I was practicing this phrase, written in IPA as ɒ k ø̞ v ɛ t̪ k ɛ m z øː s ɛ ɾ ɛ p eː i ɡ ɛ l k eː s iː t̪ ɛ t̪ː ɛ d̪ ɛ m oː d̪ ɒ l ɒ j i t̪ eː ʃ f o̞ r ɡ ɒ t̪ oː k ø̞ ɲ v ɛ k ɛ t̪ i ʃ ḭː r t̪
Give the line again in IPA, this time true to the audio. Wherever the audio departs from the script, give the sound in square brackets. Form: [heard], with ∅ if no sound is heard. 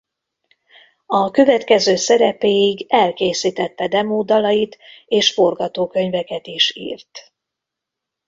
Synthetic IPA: ɒ k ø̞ v ɛ t̪ k ɛ [∅] z øː s ɛ ɾ ɛ p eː i ɡ ɛ l k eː s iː t̪ ɛ t̪ː ɛ d̪ ɛ m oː d̪ ɒ l ɒ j i t̪ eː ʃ f o̞ r ɡ ɒ t̪ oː k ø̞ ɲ v ɛ k ɛ t̪ i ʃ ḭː r t̪